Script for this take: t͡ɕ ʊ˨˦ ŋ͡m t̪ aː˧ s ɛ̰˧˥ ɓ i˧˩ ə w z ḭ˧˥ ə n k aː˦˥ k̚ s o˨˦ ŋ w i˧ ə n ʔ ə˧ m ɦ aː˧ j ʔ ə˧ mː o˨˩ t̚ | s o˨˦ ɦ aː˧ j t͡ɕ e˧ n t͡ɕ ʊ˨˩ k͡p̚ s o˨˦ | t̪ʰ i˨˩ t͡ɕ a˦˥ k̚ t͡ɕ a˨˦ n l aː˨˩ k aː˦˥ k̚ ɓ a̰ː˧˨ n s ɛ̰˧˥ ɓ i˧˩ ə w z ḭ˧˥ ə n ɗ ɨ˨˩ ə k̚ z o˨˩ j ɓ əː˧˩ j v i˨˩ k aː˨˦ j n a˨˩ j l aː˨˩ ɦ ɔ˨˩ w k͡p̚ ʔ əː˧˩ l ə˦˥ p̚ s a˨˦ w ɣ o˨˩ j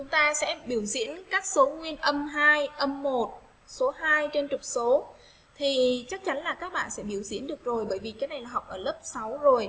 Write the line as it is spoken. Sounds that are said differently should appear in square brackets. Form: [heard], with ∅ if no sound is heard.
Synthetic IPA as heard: t͡ɕ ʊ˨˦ ŋ͡m t̪ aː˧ s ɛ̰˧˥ ɓ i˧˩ ə w z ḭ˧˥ ə n k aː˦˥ k̚ s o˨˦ ŋ w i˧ ə n ʔ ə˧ m ɦ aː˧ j ʔ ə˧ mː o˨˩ t̚ | s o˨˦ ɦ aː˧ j t͡ɕ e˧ n t͡ɕ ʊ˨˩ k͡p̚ s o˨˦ | t̪ʰ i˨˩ t͡ɕ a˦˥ k̚ t͡ɕ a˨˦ n l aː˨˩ k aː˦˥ k̚ ɓ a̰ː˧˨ n s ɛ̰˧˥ ɓ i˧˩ ə w z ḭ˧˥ ə n ɗ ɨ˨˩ ə k̚ z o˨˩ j ɓ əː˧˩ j v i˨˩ k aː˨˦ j n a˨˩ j l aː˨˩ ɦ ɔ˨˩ w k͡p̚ ʔ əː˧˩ l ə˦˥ p̚ s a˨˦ w [z] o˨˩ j